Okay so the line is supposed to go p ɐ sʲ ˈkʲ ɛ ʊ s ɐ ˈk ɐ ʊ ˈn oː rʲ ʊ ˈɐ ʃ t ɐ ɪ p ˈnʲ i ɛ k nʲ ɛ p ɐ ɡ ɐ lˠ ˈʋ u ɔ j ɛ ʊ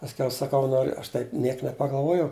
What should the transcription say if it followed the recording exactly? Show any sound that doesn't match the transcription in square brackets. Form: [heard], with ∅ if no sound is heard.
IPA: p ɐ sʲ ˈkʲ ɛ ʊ s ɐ ˈk ɐ ʊ ˈn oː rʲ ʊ ˈɐ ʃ t ɐ ɪ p ˈnʲ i ɛ k nʲ ɛ p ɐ ɡ ɐ lˠ ˈʋ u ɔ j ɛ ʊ